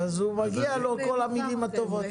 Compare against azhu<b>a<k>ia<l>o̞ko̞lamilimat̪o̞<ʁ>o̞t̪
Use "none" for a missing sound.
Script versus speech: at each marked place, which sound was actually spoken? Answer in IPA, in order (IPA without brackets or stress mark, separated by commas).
m, ɡ, l, v